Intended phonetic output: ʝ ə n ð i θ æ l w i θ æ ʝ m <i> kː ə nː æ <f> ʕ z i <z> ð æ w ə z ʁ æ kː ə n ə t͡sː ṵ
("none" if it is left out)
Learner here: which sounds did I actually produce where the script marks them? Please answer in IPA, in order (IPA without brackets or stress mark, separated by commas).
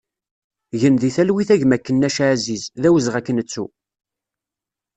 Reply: æ, ʃ, z